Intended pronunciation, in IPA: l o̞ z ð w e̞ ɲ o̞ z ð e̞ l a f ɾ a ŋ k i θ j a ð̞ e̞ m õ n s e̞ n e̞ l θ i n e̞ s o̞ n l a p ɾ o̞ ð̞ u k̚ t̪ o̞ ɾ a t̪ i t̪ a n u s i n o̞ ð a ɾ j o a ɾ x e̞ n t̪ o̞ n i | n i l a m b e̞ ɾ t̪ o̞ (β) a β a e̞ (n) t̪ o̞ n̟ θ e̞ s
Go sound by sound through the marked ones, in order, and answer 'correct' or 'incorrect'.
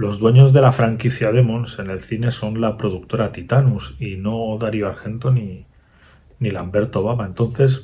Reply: correct, correct

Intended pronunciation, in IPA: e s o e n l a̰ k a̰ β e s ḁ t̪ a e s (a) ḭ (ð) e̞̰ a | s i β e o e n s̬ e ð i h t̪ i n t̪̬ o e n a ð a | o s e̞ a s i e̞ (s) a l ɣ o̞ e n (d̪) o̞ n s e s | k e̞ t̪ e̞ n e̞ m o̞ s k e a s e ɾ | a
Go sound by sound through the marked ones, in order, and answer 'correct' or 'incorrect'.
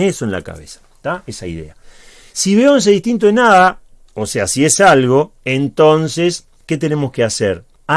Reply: correct, correct, correct, incorrect: t̪

